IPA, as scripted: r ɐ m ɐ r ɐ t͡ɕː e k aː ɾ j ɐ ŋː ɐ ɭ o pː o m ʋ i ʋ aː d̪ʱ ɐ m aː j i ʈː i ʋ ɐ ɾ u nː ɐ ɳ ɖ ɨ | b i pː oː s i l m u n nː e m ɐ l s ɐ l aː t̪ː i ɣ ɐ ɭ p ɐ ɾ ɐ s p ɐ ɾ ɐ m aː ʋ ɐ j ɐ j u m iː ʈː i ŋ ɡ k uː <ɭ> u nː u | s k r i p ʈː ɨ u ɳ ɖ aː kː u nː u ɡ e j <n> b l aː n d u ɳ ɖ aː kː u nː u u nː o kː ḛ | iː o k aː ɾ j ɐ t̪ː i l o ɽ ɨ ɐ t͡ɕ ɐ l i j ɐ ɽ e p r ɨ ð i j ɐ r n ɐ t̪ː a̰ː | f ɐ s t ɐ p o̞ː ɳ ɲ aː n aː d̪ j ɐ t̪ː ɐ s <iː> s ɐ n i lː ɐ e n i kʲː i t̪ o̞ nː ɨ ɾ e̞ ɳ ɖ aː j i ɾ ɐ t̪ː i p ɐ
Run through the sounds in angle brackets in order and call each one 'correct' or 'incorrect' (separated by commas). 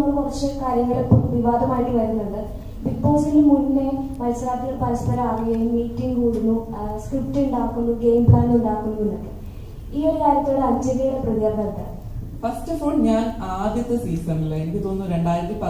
incorrect, incorrect, correct